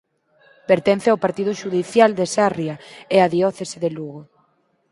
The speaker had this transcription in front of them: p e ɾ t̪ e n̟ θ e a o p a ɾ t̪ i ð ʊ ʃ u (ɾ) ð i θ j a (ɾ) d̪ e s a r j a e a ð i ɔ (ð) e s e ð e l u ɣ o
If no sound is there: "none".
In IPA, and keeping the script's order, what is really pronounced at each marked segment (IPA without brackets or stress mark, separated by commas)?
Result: none, l, θ